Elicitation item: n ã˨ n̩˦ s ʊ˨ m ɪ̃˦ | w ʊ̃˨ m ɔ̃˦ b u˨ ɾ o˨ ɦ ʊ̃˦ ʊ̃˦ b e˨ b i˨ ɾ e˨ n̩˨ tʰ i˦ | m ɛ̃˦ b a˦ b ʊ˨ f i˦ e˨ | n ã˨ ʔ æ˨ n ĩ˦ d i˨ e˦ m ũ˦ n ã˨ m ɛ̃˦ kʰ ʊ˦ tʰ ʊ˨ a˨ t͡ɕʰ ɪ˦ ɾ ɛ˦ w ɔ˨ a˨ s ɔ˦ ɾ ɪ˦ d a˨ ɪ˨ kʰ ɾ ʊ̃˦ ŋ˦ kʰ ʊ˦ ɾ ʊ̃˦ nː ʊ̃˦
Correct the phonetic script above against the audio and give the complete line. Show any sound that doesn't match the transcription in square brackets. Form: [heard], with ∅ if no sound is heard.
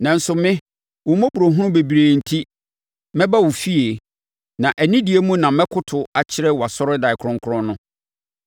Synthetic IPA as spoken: n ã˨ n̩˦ s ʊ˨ m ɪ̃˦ | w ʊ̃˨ m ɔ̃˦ b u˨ ɾ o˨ ɦ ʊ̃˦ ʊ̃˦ b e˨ b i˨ ɾ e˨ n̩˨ tʰ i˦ | m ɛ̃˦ b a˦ [w] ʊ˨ f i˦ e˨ | n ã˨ ʔ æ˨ n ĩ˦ d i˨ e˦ m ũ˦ n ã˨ m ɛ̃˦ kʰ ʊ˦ tʰ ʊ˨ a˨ t͡ɕʰ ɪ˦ ɾ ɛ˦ w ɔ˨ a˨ s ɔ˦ ɾ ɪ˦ d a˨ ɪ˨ kʰ ɾ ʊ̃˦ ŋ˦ kʰ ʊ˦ ɾ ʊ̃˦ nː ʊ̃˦